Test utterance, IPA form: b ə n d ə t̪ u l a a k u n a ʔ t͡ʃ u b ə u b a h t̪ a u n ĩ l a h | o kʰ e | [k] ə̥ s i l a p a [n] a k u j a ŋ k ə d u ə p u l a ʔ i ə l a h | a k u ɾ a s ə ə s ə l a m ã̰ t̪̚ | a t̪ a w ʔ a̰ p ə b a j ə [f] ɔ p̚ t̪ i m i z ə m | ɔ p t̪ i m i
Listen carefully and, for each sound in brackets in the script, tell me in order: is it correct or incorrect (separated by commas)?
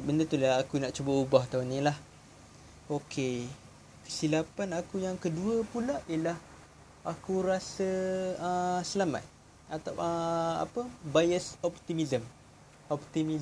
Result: correct, correct, incorrect